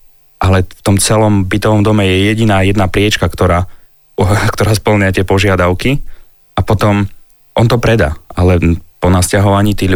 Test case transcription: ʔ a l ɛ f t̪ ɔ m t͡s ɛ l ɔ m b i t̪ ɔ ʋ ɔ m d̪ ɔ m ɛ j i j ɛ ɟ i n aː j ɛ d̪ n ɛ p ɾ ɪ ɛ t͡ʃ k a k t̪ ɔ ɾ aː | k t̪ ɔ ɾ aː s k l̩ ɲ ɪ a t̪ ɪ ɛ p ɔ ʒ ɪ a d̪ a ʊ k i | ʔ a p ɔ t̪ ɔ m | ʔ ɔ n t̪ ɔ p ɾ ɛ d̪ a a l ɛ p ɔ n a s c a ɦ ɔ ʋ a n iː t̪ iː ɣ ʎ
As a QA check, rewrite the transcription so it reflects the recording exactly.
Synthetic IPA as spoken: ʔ a l ɛ f t̪ ɔ m t͡s ɛ l ɔ m b i t̪ ɔ ʋ ɔ m d̪ ɔ m ɛ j ɛ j ɛ ɟ i n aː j ɛ d̪ n a p ɾ ɪ ɛ t͡ʃ k a k t̪ ɔ ɾ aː | k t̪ ɔ ɾ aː s p l̩ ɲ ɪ a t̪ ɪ ɛ p ɔ ʒ ɪ a d̪ a ʊ k i | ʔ a p ɔ t̪ ɔ m | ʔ ɔ n t̪ ɔ p ɾ ɛ d̪ a a l ɛ p ɔ n a s c a ɦ ɔ ʋ a ɲ iː t̪ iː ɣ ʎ